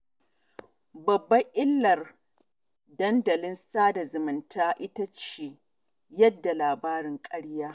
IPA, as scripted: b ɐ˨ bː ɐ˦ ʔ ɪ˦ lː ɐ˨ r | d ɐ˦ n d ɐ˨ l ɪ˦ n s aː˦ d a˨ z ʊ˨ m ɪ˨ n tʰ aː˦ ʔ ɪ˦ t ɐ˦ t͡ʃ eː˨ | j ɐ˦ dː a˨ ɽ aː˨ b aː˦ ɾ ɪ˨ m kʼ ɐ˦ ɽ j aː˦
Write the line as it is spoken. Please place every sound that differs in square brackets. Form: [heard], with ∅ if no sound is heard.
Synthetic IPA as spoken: b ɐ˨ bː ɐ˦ ʔ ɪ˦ lː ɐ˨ r | d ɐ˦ n d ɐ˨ l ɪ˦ n s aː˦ d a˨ z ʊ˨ m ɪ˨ n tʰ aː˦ ʔ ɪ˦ t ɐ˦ t͡ʃ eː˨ | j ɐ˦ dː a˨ [l] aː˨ b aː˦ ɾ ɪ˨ [ŋ] kʼ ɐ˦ ɽ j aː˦

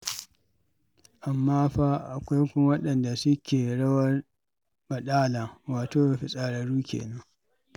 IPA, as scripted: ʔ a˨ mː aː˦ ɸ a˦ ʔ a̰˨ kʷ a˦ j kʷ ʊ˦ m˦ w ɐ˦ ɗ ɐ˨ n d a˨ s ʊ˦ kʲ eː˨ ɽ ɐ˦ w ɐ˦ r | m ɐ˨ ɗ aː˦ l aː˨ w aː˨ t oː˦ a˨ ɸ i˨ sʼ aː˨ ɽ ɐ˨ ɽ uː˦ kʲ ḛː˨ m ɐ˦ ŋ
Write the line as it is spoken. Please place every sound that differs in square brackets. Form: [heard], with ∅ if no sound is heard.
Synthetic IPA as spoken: ʔ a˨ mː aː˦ ɸ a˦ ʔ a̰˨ kʷ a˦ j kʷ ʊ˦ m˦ w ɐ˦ ɗ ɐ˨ n d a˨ s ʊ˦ kʲ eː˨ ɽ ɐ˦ w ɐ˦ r | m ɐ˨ ɗ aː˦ l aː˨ w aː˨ t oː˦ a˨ ɸ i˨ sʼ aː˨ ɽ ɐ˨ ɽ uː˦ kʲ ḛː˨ [n] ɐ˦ ŋ

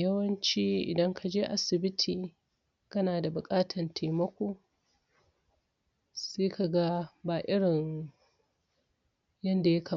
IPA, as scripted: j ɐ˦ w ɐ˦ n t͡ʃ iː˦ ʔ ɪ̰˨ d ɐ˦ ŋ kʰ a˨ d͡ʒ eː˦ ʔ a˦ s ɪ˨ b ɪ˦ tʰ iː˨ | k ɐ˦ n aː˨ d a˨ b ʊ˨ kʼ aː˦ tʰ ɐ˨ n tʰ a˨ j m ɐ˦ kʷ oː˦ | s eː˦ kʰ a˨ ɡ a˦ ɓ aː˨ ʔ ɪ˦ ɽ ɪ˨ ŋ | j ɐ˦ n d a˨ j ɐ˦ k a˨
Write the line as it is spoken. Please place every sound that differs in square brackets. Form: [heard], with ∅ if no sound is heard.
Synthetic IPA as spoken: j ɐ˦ w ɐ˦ n t͡ʃ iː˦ ʔ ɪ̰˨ d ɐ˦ ŋ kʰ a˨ d͡ʒ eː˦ ʔ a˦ s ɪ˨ b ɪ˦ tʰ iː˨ | k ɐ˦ n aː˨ d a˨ b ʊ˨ kʼ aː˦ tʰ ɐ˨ n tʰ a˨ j m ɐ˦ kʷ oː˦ | s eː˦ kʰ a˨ ɡ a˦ [b] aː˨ ʔ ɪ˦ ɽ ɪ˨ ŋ | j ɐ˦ n d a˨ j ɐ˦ k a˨

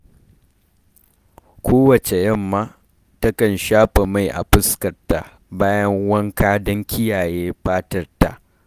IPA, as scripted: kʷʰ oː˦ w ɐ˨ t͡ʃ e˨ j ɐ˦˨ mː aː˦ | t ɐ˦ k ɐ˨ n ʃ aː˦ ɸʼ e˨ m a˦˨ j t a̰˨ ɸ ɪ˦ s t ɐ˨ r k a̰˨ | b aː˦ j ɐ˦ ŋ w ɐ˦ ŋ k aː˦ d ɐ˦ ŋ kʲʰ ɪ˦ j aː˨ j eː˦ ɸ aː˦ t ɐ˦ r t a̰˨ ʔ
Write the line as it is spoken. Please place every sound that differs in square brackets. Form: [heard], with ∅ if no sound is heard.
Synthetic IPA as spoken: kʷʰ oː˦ w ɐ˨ t͡ʃ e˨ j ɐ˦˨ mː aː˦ | t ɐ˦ k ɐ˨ n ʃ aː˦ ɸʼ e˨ m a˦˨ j [ʔ] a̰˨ ɸ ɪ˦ s [k] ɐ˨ r [t] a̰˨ | b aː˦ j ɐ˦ ŋ w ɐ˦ ŋ k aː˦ d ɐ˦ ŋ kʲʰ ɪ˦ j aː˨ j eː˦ ɸ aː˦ t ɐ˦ r t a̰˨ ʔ

